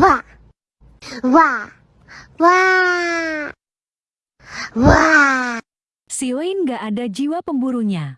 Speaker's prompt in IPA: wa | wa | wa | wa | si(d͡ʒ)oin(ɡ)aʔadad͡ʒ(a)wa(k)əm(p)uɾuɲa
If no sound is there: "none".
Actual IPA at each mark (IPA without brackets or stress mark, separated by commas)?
none, ɡ, i, p, b